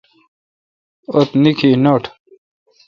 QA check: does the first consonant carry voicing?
no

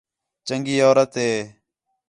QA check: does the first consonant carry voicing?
no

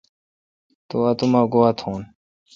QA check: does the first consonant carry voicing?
no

